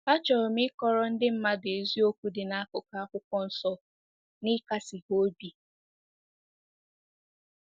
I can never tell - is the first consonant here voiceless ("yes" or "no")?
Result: yes